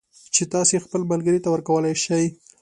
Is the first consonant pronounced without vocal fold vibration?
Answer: yes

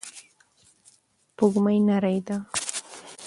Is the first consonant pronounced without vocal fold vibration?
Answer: yes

